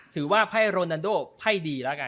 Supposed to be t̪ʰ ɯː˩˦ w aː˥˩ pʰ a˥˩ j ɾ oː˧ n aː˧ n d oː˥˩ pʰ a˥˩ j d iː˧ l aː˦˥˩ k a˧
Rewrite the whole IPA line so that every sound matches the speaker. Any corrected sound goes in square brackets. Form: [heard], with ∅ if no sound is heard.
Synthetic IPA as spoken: t̪ʰ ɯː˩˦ w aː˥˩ pʰ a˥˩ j ɾ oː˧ n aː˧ n d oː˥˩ pʰ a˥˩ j d iː˧ l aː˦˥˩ k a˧

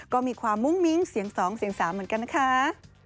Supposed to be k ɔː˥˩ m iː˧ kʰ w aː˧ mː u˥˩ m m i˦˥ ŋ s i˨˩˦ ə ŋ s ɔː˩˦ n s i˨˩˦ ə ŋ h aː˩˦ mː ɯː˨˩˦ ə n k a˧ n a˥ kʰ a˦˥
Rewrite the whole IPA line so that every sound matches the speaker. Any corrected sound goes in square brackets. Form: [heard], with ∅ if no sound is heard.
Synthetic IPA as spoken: k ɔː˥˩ m iː˧ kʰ w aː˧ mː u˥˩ [ŋ] m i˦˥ ŋ s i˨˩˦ ə ŋ s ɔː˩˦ [ŋ] s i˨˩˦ ə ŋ [s] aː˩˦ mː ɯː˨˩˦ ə n k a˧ n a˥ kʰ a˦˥

